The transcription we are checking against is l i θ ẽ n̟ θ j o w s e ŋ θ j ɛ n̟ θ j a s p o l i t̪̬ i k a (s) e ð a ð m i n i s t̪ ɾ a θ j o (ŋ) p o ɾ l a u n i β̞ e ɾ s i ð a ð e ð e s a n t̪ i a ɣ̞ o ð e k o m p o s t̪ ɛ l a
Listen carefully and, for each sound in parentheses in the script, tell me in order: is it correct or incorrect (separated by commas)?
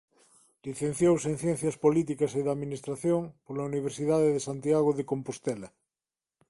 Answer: correct, correct